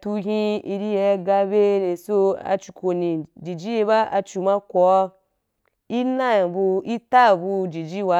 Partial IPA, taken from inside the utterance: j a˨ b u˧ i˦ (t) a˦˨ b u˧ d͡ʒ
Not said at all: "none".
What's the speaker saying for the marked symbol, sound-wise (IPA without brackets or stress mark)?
t